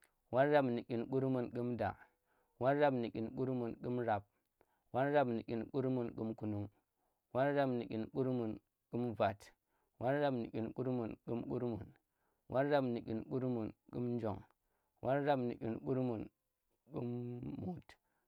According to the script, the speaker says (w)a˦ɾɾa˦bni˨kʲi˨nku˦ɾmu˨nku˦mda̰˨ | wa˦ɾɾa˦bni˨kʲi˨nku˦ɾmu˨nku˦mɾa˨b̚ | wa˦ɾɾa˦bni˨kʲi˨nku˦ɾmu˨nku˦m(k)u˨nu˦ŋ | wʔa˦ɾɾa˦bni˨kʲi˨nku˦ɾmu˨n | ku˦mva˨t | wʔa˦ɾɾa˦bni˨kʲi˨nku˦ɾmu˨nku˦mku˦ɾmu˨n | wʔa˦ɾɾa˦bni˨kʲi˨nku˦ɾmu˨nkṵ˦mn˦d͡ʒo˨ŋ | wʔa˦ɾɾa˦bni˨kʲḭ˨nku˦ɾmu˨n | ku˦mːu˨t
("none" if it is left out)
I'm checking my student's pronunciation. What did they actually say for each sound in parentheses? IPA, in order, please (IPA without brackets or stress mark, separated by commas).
w, k